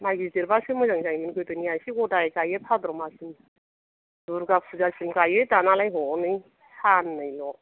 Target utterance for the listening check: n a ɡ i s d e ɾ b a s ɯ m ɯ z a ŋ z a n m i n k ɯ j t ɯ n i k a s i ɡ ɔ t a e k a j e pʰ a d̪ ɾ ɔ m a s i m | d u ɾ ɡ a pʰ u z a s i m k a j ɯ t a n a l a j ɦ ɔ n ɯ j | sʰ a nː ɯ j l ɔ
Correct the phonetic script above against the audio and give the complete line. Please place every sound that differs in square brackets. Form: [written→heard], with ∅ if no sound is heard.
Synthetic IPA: [n→m] a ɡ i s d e ɾ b a s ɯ m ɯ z a ŋ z a [n→ŋ] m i n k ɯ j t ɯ n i [k→∅] a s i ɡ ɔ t a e k a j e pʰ a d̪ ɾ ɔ m a s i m | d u ɾ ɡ a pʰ u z a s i m k a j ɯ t a n a l a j ɦ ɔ n ɯ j | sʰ a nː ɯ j l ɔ